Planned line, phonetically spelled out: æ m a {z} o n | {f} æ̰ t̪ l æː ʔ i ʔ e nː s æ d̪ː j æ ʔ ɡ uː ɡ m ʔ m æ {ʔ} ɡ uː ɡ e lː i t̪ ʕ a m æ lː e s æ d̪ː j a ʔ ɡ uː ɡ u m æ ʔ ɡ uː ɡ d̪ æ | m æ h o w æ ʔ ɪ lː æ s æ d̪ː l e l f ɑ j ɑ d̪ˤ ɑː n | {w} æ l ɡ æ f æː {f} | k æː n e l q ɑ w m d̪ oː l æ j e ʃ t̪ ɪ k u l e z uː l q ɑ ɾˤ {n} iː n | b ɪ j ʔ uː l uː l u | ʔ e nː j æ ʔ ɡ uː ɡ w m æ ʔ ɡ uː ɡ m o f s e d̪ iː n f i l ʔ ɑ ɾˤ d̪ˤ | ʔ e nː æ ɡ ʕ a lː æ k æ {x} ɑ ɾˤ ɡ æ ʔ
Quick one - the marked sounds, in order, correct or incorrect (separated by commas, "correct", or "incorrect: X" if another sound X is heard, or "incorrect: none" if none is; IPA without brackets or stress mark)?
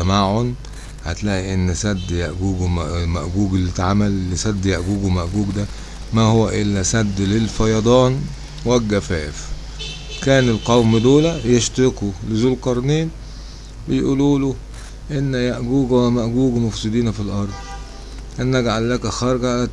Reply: incorrect: ʕ, incorrect: h, correct, correct, correct, correct, correct